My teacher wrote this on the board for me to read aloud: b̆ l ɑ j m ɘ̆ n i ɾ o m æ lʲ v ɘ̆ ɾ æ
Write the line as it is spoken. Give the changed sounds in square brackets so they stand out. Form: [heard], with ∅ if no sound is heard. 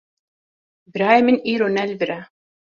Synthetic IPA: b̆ [ɾ] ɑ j m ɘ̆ n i ɾ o [n] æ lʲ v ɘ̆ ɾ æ